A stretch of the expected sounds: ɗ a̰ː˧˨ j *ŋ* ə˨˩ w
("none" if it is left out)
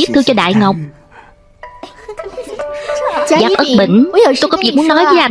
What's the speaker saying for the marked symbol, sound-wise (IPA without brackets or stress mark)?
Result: ŋ